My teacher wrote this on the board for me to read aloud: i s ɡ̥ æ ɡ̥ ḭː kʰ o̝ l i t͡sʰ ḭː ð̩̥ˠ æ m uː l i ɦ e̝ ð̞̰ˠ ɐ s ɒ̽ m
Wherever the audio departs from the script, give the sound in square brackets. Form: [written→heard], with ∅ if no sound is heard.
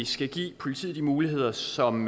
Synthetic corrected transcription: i s ɡ̥ æ ɡ̥ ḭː [kʰ→pʰ] o̝ l i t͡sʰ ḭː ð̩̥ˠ [æ→i] m uː l i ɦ e̝ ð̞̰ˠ ɐ s ɒ̽ m